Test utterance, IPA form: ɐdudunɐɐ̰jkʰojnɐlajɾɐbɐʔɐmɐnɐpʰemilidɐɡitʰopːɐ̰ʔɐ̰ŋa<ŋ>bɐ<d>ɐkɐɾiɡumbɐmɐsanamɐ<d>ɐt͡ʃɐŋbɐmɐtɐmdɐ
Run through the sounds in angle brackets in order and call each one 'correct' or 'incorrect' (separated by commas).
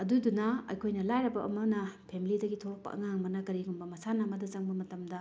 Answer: correct, incorrect, correct